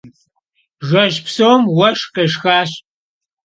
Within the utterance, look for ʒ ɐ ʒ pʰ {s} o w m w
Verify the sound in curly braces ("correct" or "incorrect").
correct